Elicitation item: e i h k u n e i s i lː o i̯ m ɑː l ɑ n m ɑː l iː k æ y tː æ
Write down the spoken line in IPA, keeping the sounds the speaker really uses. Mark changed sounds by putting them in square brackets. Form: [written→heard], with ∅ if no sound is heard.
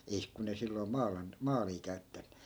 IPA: e i h k u n e i s i lː o i̯ m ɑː l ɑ n m ɑː l iː k æ y tː æ